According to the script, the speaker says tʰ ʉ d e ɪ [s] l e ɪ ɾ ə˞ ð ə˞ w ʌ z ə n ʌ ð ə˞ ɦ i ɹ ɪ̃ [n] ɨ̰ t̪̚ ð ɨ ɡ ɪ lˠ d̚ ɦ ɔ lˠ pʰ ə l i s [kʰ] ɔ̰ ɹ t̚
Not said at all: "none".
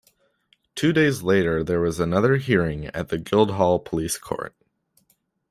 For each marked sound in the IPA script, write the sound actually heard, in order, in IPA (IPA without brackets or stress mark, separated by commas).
z, ŋ, kʰ